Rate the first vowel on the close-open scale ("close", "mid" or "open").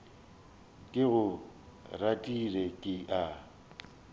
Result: close